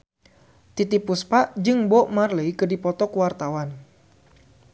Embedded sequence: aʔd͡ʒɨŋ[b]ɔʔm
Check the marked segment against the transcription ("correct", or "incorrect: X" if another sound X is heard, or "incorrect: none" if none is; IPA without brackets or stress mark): correct